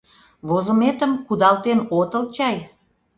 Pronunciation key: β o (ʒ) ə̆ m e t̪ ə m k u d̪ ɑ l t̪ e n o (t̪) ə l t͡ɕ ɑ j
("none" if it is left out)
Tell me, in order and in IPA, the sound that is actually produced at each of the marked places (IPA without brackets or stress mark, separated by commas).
z, t̪